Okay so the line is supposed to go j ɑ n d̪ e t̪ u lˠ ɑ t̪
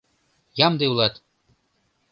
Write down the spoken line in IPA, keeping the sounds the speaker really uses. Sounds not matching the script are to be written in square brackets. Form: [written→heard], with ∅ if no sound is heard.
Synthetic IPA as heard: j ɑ [n→m] d̪ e [t̪→∅] u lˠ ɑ t̪